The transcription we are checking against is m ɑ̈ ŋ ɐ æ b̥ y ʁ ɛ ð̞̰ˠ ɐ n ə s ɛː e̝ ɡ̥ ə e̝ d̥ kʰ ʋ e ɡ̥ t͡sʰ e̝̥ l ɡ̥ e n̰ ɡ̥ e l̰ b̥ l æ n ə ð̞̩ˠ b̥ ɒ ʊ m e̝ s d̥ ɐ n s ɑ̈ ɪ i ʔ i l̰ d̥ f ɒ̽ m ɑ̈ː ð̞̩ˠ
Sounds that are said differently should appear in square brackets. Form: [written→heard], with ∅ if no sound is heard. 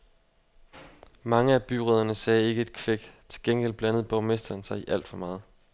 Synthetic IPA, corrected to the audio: m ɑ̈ ŋ [ɐ→ə] æ b̥ y ʁ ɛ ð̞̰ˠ ɐ n ə s ɛː e̝ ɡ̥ ə e̝ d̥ kʰ ʋ e ɡ̥ t͡sʰ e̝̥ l ɡ̥ e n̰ ɡ̥ e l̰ b̥ l æ n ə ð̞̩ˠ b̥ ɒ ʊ m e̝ s d̥ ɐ n s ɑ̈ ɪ i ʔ [i→æ] l̰ d̥ f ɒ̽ m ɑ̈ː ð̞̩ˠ